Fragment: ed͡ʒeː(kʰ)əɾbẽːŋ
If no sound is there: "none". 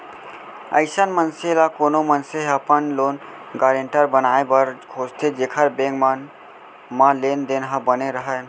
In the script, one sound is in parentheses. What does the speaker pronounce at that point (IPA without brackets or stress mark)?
kʰ